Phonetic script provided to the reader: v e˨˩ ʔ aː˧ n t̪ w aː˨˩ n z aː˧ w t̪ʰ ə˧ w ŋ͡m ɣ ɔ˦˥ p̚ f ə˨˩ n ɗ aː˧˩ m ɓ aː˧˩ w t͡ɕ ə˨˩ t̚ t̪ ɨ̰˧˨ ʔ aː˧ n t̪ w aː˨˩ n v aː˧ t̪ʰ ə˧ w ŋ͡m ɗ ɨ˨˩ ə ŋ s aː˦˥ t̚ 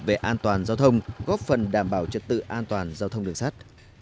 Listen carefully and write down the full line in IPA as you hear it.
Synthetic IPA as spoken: v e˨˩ ʔ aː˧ n t̪ w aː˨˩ n z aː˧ w t̪ʰ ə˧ w ŋ͡m ɣ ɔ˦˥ p̚ f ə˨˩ n ɗ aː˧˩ m ɓ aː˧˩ w t͡ɕ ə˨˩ t̚ t̪ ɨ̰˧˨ ʔ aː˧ n t̪ w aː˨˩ n z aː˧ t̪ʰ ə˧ w ŋ͡m ɗ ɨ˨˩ ə ŋ s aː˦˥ t̚